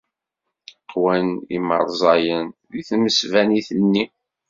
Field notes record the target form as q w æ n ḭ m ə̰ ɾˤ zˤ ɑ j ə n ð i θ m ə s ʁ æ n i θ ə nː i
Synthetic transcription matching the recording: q w æ n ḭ m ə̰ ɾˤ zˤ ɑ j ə n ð i θ m ə s v æ n i θ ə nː i